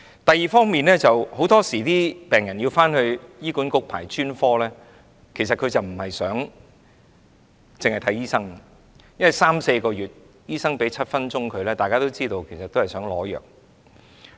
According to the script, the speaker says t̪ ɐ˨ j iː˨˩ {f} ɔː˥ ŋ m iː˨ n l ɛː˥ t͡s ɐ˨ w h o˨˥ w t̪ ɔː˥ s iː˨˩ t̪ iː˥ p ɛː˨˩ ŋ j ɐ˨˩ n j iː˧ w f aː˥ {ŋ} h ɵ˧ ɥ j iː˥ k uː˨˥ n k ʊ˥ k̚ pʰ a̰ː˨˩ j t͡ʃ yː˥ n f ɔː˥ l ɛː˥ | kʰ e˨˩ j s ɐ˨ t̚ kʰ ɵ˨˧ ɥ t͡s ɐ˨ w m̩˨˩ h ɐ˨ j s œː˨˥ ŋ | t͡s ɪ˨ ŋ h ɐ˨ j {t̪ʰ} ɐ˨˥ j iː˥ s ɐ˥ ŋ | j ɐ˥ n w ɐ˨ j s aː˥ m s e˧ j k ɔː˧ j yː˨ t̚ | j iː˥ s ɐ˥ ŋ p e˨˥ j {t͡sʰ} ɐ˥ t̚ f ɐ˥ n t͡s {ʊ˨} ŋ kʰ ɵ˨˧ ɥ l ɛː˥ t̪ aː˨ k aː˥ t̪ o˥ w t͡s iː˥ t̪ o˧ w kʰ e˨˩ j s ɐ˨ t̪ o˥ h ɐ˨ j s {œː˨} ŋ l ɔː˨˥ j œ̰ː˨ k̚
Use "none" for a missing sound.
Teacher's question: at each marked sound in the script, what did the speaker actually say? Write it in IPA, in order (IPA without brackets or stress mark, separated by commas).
f, n, t̪ʰ, t͡sʰ, ʊ˥, œː˨˥